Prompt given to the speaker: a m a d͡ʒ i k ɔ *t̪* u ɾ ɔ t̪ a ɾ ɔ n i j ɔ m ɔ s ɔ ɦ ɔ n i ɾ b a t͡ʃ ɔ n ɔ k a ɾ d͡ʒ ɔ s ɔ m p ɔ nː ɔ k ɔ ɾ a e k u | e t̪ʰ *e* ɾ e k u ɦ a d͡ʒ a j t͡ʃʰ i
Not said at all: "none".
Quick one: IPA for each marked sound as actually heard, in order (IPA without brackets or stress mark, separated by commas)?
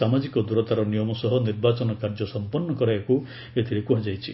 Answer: d̪, i